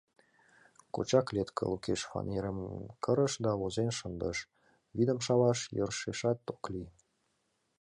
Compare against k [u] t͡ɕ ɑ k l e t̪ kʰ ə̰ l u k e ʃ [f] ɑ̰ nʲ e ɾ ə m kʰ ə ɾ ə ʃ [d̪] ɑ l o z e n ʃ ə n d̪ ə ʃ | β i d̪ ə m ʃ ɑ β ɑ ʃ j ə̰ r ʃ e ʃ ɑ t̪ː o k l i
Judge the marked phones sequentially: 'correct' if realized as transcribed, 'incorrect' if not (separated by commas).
incorrect, correct, correct